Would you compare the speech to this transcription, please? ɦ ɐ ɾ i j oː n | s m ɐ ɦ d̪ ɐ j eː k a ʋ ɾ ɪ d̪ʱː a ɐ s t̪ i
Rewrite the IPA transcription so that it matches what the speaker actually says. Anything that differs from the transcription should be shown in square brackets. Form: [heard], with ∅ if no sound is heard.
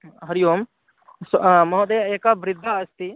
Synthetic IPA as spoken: ɦ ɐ ɾ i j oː [m] | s m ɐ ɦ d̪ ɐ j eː k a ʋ ɾ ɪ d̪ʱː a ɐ s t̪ i